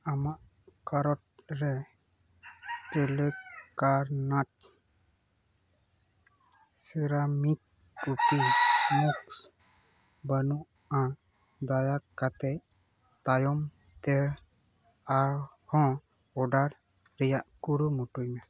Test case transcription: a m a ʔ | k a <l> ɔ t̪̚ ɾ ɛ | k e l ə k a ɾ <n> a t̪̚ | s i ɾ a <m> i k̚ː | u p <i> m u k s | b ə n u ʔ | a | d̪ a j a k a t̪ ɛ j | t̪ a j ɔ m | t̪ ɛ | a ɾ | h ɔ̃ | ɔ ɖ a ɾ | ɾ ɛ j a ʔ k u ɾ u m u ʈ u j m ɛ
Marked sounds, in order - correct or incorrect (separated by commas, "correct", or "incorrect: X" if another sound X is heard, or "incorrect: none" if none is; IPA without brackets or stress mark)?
incorrect: ɾ, correct, correct, correct